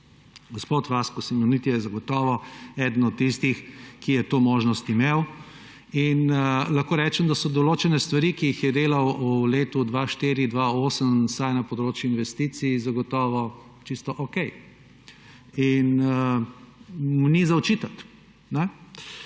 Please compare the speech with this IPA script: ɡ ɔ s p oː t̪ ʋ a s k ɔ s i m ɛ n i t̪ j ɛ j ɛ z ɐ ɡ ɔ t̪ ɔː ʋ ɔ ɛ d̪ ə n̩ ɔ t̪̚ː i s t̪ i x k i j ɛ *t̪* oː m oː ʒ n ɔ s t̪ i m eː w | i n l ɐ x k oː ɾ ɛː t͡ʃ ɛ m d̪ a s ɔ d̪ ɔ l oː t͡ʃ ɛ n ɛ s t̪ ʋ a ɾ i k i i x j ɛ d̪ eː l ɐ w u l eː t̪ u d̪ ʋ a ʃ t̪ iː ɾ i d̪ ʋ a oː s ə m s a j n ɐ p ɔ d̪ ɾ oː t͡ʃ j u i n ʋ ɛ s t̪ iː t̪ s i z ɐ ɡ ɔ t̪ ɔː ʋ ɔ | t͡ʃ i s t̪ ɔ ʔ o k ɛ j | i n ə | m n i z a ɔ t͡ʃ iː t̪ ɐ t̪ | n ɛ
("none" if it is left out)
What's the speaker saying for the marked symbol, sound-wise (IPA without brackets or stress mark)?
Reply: t̪